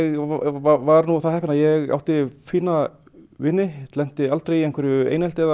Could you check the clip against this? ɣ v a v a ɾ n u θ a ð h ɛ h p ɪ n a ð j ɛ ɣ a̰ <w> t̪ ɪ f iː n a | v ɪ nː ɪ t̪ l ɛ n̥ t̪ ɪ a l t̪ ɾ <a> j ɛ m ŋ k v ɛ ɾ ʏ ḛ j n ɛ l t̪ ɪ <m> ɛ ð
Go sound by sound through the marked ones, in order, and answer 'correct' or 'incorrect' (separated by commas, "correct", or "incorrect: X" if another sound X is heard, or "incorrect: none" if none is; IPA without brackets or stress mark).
correct, incorrect: e, incorrect: none